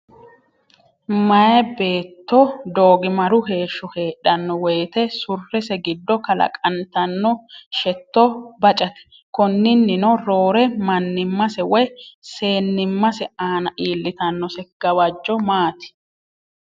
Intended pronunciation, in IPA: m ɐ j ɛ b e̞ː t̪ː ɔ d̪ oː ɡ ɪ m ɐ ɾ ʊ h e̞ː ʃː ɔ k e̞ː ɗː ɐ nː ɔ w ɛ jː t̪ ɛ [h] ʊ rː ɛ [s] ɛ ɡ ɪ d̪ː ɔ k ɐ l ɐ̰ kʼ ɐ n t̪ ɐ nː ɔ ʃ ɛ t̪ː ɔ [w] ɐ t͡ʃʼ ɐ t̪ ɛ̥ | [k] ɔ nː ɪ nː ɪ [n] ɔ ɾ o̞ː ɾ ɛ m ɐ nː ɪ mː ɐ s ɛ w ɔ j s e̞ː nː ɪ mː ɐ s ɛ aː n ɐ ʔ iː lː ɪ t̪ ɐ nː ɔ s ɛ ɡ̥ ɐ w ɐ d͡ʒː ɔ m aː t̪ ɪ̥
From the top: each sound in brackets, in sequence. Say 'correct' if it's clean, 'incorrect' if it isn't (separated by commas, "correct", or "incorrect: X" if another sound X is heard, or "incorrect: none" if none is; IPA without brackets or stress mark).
incorrect: s, correct, incorrect: b, correct, correct